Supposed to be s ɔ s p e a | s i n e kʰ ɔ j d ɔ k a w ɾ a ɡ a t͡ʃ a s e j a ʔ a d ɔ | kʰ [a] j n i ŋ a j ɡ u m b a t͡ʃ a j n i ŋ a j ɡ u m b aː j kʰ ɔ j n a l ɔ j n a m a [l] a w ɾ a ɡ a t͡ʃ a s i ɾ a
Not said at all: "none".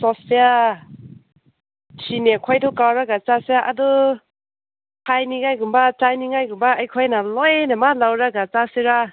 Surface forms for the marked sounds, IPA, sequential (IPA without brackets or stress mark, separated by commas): a, l